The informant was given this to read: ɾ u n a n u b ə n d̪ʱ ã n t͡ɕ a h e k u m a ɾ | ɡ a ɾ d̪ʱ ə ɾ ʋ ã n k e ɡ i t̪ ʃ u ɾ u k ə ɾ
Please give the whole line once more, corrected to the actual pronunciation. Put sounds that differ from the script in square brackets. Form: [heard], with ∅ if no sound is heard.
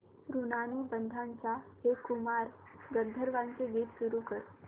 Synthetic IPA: ɾ u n a n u b ə n d̪ʱ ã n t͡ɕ a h e k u m a ɾ | ɡ [ə] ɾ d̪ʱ ə ɾ ʋ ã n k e ɡ i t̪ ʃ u ɾ u k ə ɾ